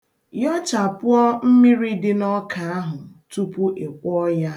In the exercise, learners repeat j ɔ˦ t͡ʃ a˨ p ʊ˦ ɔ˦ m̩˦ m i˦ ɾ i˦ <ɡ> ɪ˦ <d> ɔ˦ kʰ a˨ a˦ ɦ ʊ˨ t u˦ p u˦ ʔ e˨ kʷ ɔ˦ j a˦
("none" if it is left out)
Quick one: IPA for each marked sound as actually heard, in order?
d, n

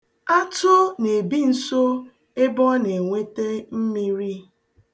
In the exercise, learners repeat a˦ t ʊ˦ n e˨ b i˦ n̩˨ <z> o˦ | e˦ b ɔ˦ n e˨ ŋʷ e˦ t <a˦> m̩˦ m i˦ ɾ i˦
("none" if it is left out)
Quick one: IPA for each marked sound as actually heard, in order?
s, e˦

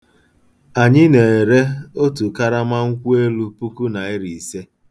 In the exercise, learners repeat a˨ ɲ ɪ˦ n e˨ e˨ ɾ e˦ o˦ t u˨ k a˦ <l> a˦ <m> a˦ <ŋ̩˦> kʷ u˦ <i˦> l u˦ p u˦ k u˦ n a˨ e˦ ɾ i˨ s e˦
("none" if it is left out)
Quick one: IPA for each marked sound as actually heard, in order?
ɾ, m, ŋ̩˦, e˦

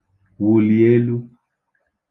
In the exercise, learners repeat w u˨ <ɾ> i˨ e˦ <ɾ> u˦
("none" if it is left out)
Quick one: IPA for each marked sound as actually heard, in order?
l, l

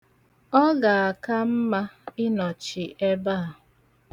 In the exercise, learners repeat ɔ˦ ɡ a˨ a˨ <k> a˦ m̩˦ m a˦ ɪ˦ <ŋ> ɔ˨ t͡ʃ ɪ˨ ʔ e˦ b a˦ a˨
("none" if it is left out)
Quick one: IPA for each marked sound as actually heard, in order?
k, n

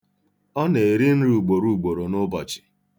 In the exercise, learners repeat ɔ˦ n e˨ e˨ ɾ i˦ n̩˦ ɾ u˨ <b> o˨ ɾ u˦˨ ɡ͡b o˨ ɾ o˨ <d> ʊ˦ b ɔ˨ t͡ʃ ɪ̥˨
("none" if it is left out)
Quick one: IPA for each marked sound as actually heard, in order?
ɡ͡b, n

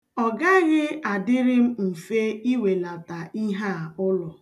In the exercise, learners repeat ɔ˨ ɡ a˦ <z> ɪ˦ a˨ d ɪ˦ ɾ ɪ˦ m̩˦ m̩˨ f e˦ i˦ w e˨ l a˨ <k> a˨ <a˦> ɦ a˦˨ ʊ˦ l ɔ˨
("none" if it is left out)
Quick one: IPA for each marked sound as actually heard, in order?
ɣ, t, i˦

